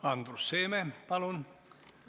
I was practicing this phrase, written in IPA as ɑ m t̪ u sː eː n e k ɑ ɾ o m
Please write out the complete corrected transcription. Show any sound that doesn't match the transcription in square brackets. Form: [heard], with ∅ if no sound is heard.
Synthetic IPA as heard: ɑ [n] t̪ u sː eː [m] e [p] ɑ [l] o [n]